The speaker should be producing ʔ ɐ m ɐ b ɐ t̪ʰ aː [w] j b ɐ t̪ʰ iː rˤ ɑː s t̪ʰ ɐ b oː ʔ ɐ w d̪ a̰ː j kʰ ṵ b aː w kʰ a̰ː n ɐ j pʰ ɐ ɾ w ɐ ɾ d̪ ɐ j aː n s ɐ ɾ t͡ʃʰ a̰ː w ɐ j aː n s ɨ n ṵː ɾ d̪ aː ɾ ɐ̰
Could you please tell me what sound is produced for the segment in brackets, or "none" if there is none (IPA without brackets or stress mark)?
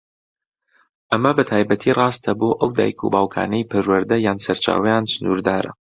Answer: none